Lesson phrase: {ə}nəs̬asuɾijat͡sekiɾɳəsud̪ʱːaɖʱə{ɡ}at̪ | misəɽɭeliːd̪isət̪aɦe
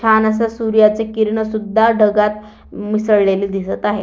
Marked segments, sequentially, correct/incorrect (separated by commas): incorrect, correct